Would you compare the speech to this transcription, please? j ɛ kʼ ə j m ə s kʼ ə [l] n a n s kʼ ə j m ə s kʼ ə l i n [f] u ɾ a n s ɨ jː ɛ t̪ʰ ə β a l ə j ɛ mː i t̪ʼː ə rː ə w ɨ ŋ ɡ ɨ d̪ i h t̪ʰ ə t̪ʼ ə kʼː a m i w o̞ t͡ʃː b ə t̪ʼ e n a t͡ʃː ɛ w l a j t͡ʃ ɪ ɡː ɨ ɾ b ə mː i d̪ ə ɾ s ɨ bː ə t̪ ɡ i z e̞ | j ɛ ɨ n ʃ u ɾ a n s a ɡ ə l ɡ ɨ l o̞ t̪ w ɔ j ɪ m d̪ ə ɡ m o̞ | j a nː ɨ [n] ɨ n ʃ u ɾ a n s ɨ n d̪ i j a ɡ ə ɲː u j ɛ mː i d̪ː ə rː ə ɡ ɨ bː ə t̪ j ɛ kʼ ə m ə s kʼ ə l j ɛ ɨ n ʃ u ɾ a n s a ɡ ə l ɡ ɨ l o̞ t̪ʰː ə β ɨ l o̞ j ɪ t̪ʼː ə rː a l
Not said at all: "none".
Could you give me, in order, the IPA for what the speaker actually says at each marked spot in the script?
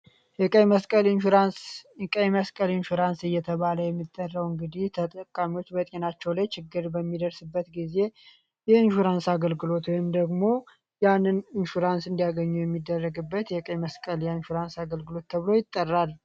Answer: l, ʃ, n

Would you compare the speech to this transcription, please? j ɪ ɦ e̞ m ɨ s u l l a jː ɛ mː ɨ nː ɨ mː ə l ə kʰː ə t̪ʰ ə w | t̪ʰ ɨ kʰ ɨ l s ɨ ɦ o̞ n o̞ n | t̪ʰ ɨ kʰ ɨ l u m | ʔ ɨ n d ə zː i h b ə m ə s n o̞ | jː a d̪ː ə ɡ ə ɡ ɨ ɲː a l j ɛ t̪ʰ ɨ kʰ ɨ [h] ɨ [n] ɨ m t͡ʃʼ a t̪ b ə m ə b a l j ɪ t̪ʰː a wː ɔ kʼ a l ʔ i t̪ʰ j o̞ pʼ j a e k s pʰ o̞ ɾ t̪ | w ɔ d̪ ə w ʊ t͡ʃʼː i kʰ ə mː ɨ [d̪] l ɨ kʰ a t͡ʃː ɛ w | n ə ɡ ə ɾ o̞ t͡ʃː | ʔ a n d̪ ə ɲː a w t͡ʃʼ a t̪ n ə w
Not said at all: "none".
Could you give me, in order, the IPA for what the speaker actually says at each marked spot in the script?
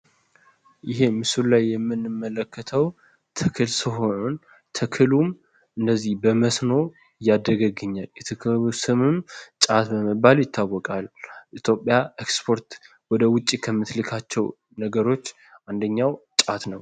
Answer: s, m, t̪

